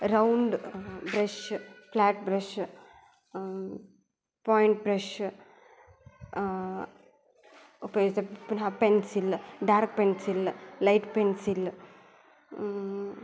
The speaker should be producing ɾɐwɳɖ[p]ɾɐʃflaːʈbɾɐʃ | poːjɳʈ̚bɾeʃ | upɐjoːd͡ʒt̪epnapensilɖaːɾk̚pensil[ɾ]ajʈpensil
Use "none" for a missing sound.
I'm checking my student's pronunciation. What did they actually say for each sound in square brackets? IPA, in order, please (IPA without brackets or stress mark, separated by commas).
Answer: b, l